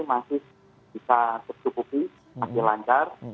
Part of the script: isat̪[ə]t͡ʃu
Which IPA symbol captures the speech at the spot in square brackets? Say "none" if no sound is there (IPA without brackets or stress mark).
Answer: ə